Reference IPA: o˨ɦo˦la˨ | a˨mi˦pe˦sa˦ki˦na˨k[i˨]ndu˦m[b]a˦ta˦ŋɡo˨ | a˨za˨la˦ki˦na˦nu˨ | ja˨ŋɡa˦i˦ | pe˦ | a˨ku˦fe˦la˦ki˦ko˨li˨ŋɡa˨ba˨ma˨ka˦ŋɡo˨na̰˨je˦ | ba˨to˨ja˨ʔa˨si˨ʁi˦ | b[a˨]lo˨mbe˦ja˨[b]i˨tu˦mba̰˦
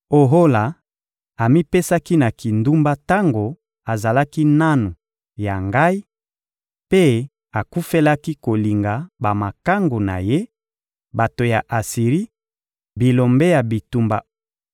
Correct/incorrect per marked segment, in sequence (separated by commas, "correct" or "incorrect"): correct, correct, incorrect, correct